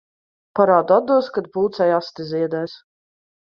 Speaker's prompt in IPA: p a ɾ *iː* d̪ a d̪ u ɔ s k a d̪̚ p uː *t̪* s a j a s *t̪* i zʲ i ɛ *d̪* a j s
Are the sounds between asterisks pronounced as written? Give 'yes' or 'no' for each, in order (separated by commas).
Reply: no, yes, yes, yes